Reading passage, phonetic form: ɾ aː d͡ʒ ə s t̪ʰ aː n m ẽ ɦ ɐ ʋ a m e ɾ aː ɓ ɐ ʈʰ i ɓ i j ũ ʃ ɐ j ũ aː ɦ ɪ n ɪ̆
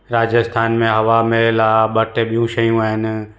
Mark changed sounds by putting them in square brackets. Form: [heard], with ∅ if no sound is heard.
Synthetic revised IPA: ɾ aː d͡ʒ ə s t̪ʰ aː n m ẽ ɦ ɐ ʋ a m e [l] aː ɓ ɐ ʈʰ [e] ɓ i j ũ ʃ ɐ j ũ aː ɦ ɪ n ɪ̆